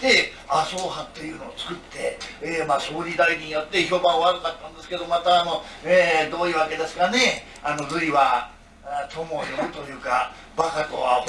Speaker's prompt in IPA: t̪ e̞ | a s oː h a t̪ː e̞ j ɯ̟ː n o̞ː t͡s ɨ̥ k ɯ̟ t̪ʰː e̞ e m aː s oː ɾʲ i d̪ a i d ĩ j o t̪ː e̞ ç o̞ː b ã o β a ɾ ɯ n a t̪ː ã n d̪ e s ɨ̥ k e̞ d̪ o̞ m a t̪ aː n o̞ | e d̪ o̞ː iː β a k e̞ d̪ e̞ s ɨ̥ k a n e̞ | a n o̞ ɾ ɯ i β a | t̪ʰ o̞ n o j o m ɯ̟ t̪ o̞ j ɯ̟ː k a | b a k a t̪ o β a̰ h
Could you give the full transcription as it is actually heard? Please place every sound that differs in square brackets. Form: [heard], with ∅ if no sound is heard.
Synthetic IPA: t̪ e̞ | a s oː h a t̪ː e̞ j ɯ̟ː n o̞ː t͡s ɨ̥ k ɯ̟ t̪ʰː e̞ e m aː s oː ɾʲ i d̪ a i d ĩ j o t̪ː e̞ ç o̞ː b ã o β a ɾ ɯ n a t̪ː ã n d̪ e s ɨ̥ k e̞ d̪ o̞ m a t̪ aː n o̞ | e d̪ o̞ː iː β a k e̞ d̪ e̞ s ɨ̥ k a n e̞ | a n o̞ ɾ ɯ i β a | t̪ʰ o̞ [m] o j o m ɯ̟ t̪ o̞ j ɯ̟ː k a | b a k a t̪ o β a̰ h